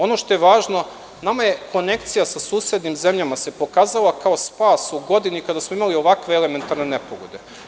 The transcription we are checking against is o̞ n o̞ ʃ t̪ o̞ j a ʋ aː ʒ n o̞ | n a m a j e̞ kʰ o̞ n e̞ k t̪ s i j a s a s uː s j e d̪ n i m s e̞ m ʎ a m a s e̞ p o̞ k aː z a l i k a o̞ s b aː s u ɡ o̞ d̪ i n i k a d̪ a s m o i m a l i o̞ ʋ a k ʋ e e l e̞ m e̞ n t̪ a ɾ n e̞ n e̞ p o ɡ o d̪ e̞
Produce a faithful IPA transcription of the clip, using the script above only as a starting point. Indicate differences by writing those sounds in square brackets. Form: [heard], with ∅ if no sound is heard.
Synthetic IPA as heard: o̞ n o̞ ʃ t̪ o̞ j [e] ʋ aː ʒ n o̞ | n a m a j e̞ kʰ o̞ n e̞ k t̪ s i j a s a s uː s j e d̪ n i m [z] e̞ m ʎ a m a s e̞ p o̞ k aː z a l [a] k a o̞ s [p] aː s u ɡ o̞ d̪ i n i k a d̪ a s m o i m a l i o̞ ʋ a k ʋ e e l e̞ m e̞ n t̪ a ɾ n e̞ n e̞ p o ɡ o d̪ e̞